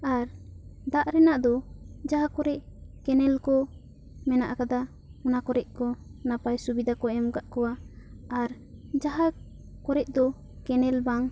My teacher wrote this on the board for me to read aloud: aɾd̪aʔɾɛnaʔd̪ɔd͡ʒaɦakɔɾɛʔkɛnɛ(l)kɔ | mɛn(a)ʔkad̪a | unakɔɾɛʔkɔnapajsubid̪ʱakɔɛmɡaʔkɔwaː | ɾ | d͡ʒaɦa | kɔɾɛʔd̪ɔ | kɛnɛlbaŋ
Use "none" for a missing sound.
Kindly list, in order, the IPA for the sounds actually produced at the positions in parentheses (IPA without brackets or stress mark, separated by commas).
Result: l, a